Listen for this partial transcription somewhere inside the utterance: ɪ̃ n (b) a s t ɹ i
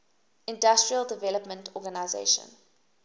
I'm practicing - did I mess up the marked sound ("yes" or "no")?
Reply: yes